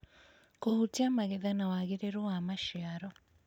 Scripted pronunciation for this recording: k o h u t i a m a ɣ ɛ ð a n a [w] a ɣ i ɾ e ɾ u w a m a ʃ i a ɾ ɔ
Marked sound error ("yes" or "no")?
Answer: no